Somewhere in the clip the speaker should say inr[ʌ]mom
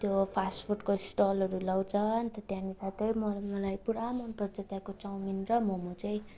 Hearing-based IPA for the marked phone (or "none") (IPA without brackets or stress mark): ʌ